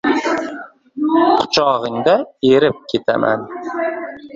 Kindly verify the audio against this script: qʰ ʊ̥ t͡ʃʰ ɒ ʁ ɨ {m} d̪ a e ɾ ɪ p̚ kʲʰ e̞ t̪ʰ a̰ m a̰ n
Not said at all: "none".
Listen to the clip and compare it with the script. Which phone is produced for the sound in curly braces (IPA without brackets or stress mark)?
ŋ